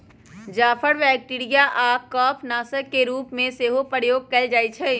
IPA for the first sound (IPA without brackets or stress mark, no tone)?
d͡ʒ